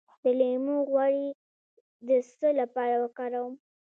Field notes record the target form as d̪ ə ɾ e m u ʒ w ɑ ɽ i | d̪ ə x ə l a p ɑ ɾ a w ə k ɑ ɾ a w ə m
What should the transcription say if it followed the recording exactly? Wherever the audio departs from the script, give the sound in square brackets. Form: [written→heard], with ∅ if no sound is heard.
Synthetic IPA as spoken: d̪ ə [ɾ→l] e m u [ʒ→ɣ] w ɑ ɽ i | d̪ ə [x→s] ə l a p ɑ ɾ a w ə k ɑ ɾ a w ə m